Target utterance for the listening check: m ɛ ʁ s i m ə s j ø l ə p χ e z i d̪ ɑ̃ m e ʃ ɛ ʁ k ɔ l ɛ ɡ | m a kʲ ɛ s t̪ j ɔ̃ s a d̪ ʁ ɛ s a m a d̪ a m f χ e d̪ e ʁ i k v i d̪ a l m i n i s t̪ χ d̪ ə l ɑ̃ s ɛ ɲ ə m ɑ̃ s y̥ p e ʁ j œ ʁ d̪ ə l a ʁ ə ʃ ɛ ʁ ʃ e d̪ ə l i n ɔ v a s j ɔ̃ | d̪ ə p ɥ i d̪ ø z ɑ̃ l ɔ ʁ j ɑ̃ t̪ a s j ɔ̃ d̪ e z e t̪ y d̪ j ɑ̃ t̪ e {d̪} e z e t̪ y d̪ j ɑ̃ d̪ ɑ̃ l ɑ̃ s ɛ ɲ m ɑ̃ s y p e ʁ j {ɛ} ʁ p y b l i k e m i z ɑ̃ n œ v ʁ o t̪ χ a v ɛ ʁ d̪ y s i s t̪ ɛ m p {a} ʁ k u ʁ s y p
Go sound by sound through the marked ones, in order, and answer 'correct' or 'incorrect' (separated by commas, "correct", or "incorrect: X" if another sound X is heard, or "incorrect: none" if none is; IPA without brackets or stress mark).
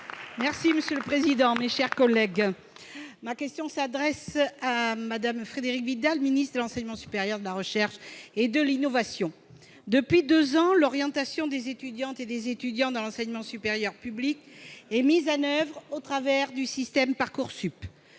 correct, incorrect: œ, correct